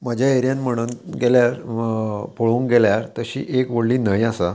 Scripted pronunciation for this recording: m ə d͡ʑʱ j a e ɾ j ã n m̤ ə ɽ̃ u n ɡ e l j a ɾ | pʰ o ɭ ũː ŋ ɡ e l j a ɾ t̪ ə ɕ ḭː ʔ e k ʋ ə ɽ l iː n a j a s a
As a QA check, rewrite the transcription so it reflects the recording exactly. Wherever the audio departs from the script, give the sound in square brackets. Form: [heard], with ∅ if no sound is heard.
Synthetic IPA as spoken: m ə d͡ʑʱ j a e ɾ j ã n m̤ ə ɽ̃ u n ɡ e l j a ɾ | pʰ o ɭ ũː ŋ ɡ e l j a ɾ t̪ ə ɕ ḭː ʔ e k ʋ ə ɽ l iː n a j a s a